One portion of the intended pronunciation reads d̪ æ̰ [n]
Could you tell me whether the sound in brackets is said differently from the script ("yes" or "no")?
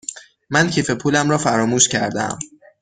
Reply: yes